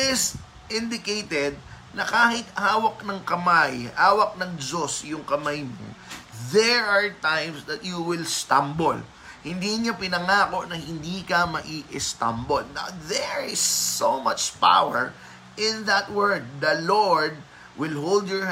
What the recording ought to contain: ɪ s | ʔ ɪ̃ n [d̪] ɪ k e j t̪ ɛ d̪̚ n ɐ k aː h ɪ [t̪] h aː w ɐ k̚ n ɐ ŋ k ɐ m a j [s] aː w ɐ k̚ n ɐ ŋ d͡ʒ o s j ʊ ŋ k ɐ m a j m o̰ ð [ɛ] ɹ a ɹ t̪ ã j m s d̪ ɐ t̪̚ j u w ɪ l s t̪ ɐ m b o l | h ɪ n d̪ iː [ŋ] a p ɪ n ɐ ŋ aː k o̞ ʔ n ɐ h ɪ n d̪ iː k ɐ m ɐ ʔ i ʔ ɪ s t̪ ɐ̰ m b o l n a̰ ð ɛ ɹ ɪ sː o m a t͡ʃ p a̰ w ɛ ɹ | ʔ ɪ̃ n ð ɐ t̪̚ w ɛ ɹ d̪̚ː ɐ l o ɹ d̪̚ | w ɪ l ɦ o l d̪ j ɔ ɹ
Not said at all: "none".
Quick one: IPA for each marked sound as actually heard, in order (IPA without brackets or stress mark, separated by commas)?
d̪, t̪, h, ɛ, ɲ